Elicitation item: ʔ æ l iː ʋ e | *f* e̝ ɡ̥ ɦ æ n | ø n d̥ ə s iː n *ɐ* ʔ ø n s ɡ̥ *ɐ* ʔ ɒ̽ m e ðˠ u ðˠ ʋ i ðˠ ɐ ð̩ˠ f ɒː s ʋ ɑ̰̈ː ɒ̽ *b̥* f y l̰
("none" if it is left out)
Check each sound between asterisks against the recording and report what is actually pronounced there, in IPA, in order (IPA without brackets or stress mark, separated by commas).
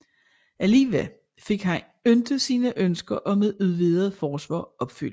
f, ə, ɐ, b̥